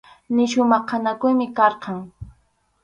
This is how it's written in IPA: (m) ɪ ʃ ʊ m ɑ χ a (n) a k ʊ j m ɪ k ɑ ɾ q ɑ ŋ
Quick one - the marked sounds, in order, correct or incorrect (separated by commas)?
incorrect, correct